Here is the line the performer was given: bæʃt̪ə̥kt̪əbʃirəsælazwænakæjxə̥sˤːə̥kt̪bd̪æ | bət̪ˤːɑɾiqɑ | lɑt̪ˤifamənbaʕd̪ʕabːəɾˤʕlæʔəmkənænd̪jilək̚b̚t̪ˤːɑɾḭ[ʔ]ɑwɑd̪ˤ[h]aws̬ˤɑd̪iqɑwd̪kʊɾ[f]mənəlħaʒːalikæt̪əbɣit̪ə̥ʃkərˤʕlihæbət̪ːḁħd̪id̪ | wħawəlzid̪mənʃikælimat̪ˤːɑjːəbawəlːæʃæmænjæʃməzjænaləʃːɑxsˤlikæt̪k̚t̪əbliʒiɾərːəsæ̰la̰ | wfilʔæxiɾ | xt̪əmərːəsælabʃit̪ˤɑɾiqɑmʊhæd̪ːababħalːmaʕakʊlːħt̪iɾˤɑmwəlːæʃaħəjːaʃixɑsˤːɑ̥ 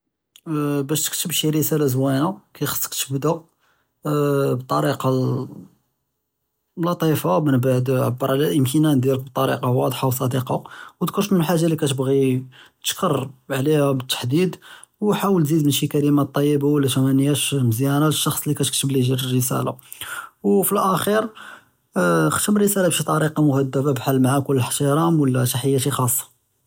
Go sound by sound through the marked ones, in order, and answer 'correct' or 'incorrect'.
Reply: incorrect: q, incorrect: ħ, incorrect: ʃ

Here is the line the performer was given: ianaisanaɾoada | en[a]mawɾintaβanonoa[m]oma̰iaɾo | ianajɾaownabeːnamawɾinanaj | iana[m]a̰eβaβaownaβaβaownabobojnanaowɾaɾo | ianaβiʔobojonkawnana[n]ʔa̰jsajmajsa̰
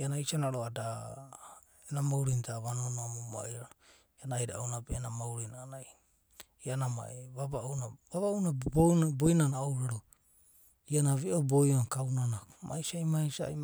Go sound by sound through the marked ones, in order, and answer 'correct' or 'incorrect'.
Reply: correct, correct, correct, incorrect: m

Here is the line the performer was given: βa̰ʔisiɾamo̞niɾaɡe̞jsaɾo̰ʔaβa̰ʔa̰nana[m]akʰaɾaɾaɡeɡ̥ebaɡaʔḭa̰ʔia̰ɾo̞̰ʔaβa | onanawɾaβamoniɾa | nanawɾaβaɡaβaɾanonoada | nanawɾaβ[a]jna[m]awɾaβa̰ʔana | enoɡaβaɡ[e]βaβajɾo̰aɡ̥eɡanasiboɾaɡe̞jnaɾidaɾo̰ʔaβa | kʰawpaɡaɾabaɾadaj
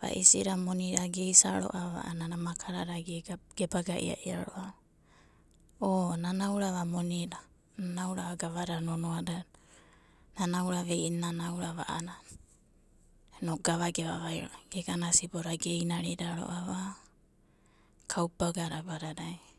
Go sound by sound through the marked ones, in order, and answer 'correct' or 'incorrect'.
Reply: correct, incorrect: e, incorrect: n, correct

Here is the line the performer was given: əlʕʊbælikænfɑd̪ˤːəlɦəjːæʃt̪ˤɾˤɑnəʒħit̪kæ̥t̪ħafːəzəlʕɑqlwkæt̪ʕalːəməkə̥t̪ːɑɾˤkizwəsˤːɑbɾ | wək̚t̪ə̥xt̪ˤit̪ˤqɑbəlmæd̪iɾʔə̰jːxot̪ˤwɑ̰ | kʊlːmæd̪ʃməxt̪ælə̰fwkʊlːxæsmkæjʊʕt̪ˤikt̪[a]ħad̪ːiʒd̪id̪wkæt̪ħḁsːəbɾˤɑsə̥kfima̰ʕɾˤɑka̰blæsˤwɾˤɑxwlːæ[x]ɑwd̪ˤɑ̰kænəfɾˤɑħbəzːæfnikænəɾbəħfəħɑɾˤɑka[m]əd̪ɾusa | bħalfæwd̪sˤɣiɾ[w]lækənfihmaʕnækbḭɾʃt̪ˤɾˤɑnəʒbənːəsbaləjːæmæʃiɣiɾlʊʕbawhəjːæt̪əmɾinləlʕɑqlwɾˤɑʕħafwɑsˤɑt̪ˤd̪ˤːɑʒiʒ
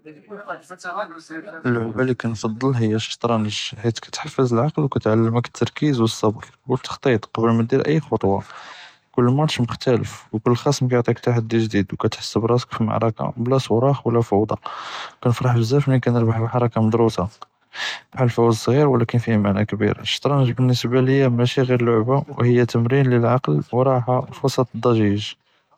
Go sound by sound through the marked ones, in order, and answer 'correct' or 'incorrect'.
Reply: correct, incorrect: f, correct, correct

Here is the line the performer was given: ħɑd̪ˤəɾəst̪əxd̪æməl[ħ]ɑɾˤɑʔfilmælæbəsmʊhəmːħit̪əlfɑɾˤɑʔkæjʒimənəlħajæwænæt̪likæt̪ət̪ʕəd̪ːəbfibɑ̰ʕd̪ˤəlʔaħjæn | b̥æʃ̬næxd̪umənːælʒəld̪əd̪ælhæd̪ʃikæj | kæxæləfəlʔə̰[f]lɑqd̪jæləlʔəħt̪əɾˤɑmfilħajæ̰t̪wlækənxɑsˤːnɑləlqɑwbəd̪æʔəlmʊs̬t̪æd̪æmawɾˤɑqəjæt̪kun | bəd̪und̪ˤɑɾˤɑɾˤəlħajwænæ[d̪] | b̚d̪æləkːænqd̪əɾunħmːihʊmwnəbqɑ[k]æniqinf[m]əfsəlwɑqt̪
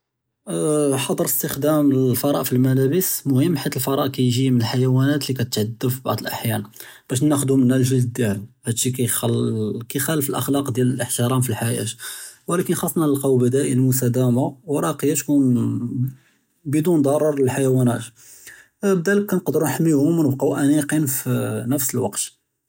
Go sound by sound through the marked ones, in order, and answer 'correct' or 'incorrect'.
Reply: incorrect: f, incorrect: x, incorrect: t̪, incorrect: ʔ, incorrect: n

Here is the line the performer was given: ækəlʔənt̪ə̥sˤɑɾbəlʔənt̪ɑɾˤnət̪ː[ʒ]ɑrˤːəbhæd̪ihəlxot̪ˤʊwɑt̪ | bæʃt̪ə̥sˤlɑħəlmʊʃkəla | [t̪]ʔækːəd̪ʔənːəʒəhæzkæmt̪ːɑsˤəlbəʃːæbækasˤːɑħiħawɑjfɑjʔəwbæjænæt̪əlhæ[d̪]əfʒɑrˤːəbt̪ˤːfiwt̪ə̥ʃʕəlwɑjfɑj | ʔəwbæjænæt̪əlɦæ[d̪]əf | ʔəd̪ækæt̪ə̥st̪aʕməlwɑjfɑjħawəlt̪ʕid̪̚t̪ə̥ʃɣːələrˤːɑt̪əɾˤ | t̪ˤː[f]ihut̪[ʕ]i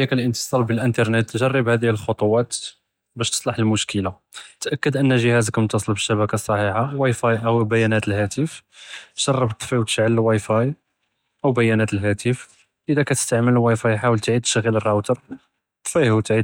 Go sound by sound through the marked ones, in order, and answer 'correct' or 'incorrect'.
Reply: correct, correct, incorrect: t̪, incorrect: t̪, correct, correct

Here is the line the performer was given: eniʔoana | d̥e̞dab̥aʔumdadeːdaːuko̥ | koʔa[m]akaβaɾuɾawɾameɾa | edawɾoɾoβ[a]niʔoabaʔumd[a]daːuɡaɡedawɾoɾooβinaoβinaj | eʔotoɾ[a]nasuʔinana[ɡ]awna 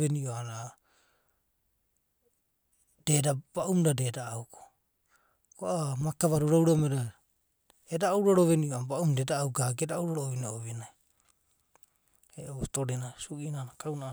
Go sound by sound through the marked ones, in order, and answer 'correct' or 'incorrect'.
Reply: correct, incorrect: e, incorrect: e, incorrect: e, incorrect: k

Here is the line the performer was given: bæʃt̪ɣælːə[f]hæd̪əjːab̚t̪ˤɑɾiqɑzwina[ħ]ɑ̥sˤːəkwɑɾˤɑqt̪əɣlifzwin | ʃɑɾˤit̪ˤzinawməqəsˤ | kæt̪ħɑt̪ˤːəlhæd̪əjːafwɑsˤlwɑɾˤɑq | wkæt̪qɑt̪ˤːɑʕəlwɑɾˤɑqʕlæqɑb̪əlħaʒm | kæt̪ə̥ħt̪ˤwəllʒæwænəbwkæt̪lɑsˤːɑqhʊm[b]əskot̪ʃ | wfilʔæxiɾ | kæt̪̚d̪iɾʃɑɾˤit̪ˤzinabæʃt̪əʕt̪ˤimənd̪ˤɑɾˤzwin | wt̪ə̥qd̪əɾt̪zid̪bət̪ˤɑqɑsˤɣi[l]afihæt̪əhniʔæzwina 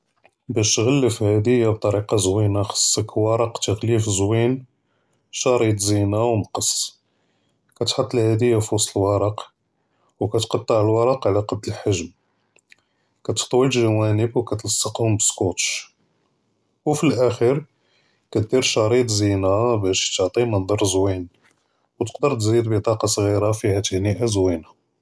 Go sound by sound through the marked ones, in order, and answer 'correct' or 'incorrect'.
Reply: correct, incorrect: x, correct, incorrect: ɾ

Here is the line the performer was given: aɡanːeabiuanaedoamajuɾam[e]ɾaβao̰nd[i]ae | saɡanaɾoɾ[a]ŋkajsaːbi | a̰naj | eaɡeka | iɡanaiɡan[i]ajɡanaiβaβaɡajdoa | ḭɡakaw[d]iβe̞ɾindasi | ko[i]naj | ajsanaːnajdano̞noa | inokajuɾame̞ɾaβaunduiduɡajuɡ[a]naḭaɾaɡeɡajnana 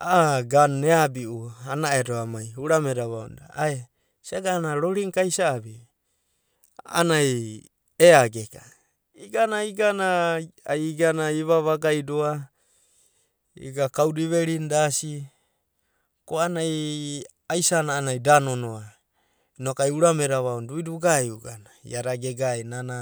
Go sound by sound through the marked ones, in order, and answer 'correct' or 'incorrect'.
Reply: correct, incorrect: a, incorrect: i, incorrect: a, correct, incorrect: a, correct

